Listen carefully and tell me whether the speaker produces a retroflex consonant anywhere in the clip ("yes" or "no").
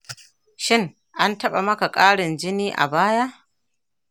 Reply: yes